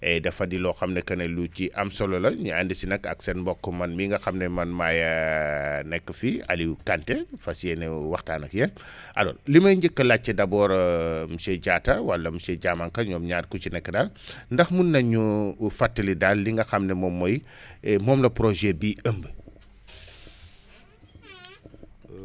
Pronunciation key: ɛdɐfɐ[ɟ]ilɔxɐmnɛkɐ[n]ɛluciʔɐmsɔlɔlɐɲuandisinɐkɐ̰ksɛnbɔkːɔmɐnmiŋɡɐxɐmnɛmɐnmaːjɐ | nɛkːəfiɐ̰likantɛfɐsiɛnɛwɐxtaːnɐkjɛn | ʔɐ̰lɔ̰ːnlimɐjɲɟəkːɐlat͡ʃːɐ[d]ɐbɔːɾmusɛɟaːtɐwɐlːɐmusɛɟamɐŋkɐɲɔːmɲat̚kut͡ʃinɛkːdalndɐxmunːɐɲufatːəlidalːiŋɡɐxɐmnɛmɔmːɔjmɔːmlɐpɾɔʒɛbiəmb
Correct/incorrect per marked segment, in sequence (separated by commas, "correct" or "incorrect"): incorrect, correct, correct